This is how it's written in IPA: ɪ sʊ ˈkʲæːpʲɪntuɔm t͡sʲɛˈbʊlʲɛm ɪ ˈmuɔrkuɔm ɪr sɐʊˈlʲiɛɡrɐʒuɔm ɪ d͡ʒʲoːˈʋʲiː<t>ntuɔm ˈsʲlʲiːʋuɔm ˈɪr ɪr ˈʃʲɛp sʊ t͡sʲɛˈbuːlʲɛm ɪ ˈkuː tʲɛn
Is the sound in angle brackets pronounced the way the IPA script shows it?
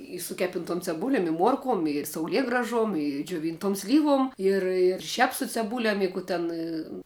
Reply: no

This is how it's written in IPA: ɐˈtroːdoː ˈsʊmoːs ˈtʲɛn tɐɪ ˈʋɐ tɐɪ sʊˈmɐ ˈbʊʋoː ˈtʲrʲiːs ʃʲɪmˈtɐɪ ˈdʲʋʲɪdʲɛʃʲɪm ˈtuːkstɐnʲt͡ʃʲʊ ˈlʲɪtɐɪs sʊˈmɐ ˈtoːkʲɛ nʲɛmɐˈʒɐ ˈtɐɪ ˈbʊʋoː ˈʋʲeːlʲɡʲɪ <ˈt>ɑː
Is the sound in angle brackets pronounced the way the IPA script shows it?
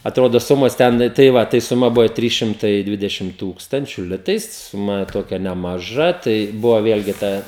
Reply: yes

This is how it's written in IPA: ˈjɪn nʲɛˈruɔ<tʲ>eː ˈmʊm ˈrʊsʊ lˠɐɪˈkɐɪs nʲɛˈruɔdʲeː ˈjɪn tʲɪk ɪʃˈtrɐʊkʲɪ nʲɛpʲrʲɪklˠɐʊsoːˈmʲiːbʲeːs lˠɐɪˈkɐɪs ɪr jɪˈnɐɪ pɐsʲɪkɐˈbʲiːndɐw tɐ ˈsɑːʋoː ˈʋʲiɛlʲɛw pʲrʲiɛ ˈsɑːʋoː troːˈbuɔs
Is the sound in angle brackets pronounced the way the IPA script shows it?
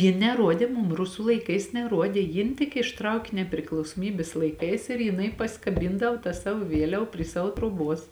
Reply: no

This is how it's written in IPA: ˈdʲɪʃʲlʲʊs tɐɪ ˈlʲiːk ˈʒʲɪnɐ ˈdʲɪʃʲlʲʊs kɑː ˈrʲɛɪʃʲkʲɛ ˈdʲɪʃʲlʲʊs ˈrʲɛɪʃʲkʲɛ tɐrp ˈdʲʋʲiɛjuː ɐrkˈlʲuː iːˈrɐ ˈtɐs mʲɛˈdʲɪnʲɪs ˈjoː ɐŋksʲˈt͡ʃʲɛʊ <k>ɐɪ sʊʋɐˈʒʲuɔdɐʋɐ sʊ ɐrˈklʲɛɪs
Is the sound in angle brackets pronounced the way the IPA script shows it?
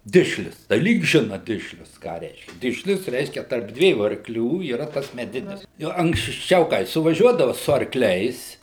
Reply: yes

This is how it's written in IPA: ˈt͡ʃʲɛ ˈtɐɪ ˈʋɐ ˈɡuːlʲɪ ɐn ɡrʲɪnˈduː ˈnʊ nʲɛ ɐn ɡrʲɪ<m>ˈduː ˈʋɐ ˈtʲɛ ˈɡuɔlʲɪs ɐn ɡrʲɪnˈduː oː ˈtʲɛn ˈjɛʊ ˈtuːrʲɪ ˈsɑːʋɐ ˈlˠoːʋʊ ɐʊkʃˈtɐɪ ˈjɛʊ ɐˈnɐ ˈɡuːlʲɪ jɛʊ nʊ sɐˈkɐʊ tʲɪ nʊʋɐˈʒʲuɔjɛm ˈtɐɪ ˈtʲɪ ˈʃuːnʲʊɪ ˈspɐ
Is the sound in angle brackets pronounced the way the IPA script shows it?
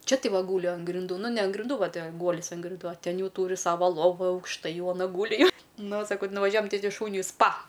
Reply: no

